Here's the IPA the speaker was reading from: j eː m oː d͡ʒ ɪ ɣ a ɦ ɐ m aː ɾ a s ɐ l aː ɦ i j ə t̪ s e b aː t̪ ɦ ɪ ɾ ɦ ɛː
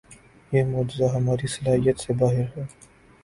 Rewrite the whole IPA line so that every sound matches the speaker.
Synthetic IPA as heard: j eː m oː d͡ʒ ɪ z a ɦ ɐ m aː ɾ i s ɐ l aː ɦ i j ə t̪ s e b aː ɦ ɪ ɾ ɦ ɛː